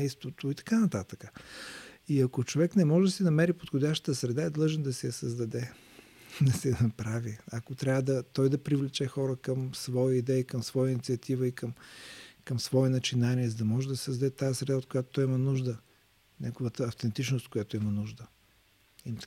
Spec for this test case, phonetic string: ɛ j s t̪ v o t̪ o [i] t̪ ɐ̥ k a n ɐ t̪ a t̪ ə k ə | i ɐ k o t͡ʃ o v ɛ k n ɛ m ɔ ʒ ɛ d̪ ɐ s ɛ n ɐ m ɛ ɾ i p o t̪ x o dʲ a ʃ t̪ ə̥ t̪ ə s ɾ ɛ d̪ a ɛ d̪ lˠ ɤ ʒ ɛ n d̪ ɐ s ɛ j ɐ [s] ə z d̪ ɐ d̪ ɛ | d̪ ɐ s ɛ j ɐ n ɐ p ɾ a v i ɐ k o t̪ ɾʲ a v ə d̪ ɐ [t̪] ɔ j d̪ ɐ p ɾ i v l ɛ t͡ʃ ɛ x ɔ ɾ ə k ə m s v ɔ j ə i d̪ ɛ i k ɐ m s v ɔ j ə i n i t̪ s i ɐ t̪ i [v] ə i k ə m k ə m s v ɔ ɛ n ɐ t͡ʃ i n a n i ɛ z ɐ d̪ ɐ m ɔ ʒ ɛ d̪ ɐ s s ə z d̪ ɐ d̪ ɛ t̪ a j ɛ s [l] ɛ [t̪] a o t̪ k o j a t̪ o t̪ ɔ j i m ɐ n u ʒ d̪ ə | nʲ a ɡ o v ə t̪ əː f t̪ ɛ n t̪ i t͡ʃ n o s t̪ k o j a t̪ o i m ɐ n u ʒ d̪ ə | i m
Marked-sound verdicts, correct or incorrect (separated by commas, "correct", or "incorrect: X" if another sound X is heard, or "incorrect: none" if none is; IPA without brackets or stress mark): correct, correct, correct, correct, incorrect: ɾ, incorrect: d̪